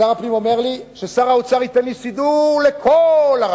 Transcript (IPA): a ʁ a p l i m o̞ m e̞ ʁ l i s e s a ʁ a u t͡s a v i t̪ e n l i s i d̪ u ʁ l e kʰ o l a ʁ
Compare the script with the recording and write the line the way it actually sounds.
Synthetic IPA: a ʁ a p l i m o̞ m e̞ ʁ l i ʃ e s a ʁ a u t͡s a ʁ i t̪ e n l i s i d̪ u ʁ l e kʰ o l a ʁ